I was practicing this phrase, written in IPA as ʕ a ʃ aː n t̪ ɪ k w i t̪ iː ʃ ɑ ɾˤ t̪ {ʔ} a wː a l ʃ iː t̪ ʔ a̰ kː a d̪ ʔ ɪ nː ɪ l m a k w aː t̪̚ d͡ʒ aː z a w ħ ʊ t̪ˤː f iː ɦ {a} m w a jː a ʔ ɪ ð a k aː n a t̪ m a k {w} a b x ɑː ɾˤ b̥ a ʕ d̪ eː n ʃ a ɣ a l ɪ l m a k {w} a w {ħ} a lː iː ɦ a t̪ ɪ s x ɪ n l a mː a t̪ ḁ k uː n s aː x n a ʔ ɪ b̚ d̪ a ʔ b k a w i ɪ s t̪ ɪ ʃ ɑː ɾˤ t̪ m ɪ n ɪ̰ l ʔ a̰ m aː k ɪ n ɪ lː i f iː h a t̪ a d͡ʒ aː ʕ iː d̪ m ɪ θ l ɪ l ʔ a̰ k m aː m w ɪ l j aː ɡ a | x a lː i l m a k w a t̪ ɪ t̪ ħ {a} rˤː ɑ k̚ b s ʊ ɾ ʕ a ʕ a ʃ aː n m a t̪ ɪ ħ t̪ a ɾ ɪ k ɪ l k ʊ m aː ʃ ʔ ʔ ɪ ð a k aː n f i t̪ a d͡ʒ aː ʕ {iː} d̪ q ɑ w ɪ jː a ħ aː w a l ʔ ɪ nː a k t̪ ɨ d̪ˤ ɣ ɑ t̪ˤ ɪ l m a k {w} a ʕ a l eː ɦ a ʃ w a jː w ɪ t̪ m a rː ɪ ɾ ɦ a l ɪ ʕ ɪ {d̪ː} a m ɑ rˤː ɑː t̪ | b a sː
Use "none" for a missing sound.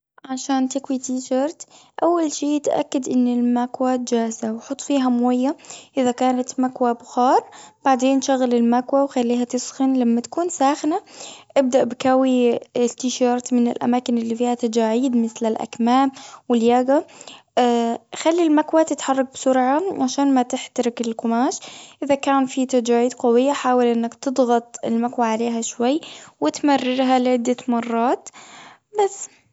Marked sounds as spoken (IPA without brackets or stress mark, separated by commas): ʔ, a, w, w, x, ɑ, iː, w, d̪ː